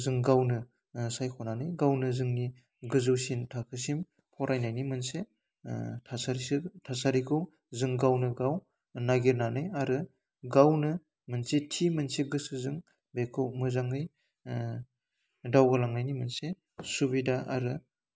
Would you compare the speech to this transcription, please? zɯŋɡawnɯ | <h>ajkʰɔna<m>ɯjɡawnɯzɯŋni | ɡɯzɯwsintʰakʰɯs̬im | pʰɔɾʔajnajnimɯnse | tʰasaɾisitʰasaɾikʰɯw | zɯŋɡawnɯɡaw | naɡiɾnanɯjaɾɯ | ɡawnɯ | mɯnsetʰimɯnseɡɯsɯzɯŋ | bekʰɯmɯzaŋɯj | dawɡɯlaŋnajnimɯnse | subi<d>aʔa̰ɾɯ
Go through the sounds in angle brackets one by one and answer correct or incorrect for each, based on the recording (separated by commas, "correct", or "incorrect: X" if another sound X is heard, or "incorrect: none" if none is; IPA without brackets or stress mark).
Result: incorrect: s, incorrect: n, correct